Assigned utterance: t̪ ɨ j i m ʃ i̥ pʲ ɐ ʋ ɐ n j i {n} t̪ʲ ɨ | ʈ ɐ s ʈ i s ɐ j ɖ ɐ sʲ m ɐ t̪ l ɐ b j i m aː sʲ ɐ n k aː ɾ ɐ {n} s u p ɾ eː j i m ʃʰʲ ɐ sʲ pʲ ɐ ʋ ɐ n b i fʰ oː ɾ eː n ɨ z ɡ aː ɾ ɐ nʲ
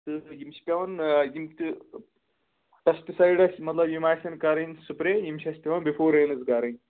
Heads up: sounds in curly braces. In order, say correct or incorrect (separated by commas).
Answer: incorrect, correct